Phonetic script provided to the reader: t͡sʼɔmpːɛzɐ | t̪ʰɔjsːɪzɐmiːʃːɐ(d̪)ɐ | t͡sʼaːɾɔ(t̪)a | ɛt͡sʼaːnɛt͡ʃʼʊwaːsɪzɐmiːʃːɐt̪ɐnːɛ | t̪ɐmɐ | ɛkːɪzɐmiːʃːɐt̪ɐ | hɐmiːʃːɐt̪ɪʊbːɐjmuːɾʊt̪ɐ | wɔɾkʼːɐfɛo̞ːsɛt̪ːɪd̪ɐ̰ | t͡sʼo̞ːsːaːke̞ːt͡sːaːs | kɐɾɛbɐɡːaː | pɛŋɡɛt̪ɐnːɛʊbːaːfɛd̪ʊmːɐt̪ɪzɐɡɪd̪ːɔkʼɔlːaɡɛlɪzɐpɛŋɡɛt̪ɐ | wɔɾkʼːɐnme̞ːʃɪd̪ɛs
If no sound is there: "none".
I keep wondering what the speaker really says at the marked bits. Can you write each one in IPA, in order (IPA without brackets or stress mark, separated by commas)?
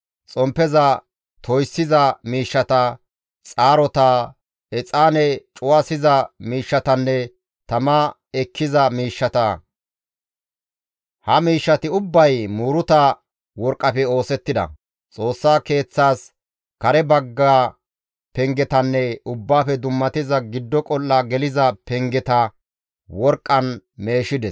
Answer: t̪, t̪